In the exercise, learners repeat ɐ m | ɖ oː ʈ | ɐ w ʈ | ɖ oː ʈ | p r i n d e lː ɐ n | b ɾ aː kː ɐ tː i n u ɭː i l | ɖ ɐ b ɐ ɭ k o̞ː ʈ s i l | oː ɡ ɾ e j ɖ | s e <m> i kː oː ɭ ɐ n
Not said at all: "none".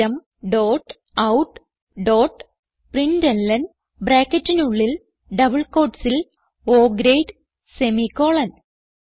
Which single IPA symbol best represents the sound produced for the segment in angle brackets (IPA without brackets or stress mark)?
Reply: m